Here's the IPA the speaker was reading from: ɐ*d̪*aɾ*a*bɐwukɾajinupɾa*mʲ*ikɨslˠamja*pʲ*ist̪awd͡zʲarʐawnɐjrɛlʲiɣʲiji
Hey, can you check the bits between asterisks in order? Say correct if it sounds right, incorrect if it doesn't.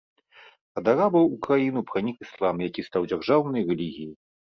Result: correct, correct, incorrect, incorrect

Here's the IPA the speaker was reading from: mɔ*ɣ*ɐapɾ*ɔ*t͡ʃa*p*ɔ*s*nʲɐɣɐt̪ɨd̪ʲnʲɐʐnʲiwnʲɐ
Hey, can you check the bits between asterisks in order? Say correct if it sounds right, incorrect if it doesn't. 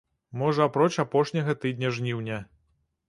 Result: incorrect, correct, correct, incorrect

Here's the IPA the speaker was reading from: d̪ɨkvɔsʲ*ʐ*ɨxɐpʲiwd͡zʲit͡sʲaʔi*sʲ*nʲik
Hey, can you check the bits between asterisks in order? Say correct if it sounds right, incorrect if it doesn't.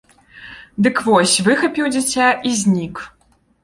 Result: incorrect, incorrect

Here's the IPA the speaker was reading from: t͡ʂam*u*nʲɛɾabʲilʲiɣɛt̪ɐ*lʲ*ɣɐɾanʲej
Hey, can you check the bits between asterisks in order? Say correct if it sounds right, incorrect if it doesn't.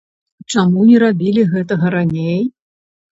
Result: correct, incorrect

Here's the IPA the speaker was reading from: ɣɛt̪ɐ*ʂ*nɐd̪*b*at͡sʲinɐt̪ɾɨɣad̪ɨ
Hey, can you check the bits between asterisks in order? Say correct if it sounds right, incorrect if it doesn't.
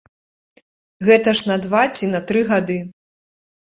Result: correct, incorrect

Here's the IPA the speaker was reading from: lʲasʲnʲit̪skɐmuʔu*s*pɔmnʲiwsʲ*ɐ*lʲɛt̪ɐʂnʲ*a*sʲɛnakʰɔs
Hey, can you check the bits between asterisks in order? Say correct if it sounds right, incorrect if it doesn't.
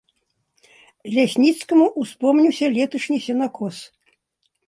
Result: correct, correct, incorrect

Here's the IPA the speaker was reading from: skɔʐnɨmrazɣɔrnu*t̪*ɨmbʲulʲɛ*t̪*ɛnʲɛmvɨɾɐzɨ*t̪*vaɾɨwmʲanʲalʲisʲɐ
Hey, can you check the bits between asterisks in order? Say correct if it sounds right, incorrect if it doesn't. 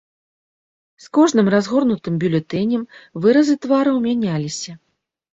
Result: correct, correct, correct

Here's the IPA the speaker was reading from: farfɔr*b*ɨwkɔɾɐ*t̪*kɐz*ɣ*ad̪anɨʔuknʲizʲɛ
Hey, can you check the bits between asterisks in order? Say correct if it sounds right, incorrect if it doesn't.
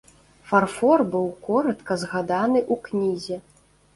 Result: correct, correct, correct

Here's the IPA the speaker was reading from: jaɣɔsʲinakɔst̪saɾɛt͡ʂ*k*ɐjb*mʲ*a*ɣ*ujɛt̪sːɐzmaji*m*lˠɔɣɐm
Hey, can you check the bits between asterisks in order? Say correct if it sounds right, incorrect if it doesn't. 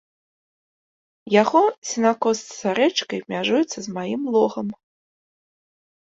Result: correct, correct, incorrect, correct

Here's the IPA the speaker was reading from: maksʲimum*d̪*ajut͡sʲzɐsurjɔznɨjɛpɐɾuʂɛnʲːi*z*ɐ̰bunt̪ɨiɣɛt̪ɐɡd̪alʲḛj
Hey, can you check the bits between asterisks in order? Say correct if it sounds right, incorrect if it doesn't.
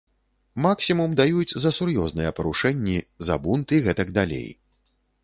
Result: correct, correct

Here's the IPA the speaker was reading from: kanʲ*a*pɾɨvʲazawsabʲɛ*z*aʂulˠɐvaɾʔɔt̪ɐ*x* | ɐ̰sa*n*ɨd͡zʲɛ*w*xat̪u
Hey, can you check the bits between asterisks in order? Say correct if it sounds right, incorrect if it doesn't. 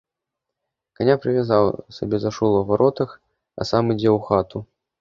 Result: correct, correct, correct, incorrect, correct

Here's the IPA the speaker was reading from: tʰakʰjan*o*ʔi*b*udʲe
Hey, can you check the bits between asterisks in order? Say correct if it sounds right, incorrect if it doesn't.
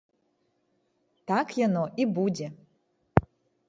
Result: correct, correct

